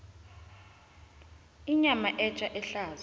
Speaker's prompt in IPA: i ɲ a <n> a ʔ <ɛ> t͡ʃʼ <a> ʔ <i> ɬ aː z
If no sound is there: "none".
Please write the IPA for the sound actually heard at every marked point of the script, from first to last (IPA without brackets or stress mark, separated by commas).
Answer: m, ɛ, a, ɛ